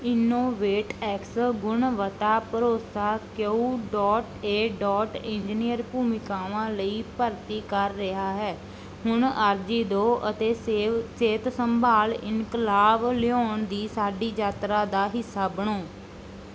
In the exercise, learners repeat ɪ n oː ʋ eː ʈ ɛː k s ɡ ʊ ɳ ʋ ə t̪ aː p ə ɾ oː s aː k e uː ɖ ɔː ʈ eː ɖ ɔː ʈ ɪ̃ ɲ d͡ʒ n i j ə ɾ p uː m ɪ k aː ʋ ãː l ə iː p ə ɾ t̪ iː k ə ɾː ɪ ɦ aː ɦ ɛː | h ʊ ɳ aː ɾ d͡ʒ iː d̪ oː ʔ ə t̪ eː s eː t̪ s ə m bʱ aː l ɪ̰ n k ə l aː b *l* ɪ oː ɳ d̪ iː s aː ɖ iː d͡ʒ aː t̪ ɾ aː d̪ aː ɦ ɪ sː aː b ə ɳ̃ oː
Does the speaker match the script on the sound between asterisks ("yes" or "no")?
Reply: yes